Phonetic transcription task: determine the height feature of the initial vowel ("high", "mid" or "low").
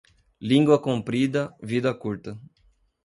high